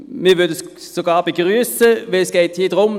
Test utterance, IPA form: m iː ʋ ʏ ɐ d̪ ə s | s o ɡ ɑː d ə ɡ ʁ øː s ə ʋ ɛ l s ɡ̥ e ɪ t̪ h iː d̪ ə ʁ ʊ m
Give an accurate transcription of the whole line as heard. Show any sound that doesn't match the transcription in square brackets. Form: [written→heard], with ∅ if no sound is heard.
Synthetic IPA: m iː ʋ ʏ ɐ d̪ ə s | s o ɡ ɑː [d→b] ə ɡ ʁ [øː→yː] s ə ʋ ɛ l s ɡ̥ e ɪ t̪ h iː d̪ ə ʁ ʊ m